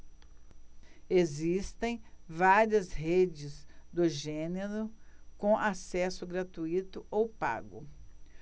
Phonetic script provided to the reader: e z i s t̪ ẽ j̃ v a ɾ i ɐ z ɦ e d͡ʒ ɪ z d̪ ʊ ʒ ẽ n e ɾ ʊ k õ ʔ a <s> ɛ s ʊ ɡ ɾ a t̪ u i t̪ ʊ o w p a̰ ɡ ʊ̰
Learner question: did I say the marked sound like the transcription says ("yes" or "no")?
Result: yes